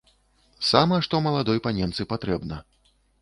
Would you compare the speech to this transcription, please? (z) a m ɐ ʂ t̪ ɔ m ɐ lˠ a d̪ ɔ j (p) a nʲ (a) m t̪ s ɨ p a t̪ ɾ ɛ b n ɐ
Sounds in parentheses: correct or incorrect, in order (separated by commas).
incorrect, correct, incorrect